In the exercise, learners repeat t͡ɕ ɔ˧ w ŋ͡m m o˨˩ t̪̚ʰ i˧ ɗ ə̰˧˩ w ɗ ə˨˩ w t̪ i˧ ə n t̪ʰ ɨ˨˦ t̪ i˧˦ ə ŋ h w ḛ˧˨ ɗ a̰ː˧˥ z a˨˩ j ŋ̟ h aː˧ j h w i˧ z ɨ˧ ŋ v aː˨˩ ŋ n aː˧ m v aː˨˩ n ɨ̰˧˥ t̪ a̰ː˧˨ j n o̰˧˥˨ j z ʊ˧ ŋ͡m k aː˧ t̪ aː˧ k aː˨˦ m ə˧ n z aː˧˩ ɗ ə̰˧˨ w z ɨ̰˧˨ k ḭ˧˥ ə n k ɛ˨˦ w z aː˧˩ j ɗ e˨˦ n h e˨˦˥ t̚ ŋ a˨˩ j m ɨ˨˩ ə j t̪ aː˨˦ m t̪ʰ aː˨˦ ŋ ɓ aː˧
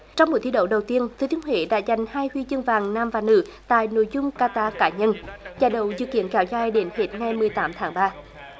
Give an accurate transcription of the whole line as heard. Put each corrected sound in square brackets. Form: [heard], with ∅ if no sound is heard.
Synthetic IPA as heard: t͡ɕ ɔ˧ w ŋ͡m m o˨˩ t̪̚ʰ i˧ ɗ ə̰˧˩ w ɗ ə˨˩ w t̪ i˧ ə n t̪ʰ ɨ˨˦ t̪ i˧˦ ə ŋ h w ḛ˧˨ ɗ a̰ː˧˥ z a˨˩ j ŋ̟ h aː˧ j h w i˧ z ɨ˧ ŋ v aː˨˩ ŋ n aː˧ m v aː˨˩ n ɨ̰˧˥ t̪ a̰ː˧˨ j n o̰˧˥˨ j z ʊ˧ ŋ͡m k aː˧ t̪ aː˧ k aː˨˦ [ɲ] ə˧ n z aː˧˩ ɗ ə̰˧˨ w z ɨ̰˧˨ k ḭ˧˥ ə n k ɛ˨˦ w z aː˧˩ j ɗ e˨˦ n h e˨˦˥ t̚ ŋ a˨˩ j m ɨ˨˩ ə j t̪ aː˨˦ m t̪ʰ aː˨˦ ŋ ɓ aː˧